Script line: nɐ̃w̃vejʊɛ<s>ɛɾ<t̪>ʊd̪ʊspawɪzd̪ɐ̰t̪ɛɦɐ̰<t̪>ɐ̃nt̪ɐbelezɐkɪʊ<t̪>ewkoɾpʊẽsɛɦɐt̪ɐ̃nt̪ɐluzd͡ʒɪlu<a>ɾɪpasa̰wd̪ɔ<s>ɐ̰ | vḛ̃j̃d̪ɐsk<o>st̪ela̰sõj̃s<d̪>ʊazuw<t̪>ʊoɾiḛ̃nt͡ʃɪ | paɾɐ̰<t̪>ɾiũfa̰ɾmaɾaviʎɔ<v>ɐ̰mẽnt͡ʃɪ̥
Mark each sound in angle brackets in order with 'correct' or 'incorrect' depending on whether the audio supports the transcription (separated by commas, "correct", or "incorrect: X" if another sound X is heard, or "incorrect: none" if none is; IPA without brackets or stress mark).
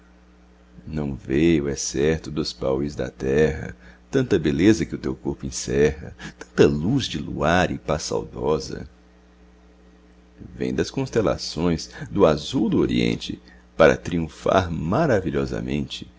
correct, correct, correct, correct, correct, incorrect: z, incorrect: õ, correct, incorrect: d̪, correct, incorrect: z